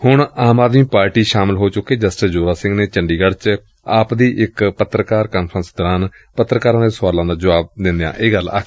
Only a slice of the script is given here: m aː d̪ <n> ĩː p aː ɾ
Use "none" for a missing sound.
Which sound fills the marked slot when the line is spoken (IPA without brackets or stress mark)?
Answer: m